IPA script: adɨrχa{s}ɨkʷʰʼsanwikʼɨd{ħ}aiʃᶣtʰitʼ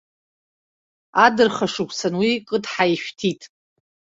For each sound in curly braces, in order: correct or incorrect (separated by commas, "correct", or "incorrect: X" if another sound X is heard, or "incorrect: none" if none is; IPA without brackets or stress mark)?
incorrect: ʂ, correct